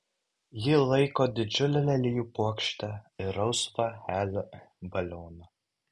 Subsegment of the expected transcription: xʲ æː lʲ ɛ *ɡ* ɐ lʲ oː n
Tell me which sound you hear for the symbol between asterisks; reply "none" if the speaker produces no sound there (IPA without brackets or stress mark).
b